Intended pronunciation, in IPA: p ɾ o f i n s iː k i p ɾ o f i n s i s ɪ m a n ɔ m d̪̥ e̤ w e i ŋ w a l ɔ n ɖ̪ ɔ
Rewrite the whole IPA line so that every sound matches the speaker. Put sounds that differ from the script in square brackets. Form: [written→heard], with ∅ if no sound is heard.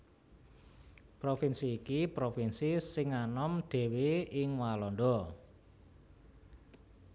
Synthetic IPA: p ɾ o f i n s iː k i p ɾ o f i n s i s ɪ [m→ŋ] a n ɔ m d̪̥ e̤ w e [i→ɪ] ŋ w a l ɔ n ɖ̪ ɔ